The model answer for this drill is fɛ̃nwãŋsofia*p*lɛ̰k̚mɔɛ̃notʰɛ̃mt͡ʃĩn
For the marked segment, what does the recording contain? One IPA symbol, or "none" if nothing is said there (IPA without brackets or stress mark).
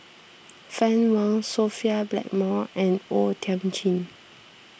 b